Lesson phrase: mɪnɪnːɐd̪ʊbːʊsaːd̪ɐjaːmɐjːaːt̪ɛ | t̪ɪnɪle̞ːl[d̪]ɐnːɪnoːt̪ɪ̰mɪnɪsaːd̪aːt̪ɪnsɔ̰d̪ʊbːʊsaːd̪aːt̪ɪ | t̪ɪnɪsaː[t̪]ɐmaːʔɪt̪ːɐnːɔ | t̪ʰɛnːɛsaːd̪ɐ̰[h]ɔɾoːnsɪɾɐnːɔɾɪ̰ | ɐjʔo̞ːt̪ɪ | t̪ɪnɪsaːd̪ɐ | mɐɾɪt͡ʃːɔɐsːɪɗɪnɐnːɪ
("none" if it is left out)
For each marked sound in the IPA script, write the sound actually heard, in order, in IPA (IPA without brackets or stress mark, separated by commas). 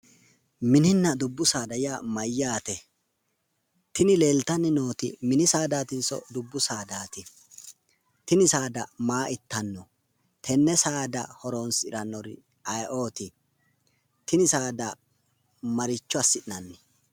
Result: t̪, d̪, h